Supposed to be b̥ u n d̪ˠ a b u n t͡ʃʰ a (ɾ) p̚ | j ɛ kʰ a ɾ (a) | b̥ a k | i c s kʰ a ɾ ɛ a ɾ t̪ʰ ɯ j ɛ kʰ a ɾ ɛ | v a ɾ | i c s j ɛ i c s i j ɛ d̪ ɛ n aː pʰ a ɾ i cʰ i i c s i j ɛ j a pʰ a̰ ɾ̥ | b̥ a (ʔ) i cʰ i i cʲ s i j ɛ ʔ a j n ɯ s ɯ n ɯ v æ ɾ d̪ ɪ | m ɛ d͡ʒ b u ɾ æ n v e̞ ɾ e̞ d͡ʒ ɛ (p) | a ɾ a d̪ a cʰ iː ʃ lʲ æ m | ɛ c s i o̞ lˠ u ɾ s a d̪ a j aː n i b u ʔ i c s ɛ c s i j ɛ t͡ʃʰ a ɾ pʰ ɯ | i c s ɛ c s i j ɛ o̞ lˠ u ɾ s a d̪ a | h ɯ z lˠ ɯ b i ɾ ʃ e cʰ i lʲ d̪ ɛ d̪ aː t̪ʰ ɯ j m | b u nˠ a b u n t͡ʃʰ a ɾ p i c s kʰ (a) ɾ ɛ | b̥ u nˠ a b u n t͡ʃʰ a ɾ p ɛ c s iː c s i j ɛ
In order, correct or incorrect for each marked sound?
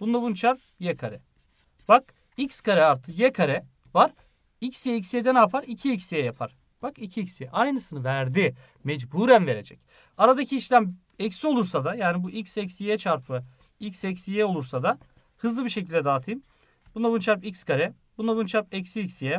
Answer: correct, incorrect: ɛ, incorrect: k, incorrect: c, correct

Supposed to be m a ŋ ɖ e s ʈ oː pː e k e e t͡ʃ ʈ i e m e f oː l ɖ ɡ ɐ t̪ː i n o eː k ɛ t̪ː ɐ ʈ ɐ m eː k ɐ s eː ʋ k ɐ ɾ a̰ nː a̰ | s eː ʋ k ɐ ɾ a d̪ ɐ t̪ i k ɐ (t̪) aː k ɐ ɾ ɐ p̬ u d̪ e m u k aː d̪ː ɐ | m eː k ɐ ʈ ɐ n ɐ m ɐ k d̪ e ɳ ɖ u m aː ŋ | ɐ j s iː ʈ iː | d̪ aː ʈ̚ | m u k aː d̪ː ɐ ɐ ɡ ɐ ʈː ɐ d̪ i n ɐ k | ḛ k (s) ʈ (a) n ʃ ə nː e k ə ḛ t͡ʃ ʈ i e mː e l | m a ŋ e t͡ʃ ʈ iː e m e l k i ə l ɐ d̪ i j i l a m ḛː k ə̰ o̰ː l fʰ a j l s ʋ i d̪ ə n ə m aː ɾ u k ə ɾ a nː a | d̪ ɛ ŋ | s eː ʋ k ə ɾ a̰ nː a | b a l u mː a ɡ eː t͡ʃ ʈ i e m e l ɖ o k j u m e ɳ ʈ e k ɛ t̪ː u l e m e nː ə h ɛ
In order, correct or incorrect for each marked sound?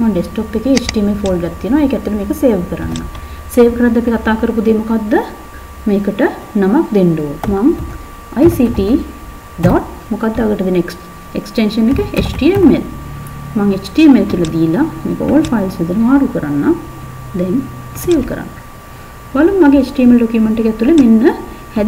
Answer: correct, correct, incorrect: e

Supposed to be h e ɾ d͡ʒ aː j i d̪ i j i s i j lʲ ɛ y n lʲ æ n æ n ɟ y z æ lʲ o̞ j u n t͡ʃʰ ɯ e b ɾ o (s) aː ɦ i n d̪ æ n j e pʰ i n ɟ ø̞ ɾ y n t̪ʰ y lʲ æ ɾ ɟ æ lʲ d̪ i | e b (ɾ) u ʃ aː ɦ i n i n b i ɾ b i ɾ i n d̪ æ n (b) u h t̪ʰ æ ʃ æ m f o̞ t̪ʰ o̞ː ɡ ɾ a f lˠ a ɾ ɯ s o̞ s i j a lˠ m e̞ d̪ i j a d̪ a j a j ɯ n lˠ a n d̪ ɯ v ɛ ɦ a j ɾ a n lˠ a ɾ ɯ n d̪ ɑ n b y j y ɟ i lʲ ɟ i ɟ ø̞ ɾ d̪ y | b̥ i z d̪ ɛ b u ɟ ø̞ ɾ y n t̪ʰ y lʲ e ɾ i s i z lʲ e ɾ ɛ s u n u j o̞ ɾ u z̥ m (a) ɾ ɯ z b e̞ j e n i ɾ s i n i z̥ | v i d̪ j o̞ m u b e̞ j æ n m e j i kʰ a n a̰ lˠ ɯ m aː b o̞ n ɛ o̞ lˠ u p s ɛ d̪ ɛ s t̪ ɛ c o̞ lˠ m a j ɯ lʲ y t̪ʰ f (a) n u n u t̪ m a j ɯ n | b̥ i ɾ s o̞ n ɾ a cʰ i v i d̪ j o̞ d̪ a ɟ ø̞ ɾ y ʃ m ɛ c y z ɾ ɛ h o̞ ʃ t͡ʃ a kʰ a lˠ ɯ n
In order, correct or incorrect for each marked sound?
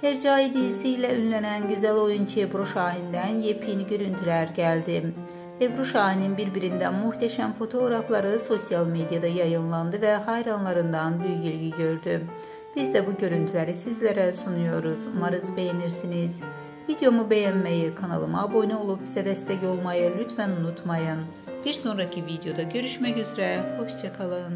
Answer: incorrect: ʃ, correct, incorrect: m, correct, incorrect: æ

